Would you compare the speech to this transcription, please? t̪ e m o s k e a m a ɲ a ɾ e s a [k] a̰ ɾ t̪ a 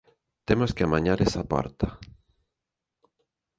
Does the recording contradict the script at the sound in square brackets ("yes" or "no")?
yes